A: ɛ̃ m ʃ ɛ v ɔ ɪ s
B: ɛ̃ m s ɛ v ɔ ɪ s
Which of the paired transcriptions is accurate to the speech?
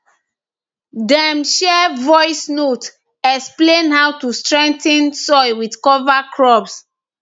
A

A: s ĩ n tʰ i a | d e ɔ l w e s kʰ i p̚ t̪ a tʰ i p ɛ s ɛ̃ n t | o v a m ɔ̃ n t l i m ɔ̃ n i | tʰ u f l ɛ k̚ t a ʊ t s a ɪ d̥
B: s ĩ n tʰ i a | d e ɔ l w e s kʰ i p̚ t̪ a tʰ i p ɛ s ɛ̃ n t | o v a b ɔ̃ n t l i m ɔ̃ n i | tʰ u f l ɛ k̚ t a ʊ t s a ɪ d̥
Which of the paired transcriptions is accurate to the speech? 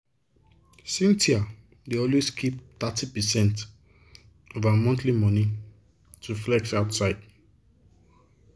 A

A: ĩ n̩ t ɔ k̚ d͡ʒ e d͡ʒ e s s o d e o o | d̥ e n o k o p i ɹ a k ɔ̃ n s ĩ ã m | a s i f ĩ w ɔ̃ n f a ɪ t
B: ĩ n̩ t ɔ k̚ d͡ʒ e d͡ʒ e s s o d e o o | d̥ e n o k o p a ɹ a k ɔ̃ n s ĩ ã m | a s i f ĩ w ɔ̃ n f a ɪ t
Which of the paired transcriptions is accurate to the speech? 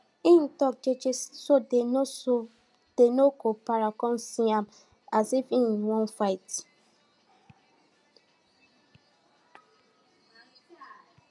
B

